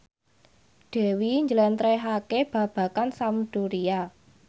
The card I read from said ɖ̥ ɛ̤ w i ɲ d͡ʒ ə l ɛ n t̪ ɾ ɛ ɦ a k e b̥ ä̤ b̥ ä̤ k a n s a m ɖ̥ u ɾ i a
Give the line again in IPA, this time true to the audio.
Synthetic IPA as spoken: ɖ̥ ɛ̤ w i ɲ d͡ʒ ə l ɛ n t̪ ɾ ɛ ɦ a k e b̥ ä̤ b̥ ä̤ k a n s a m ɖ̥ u ɾ i a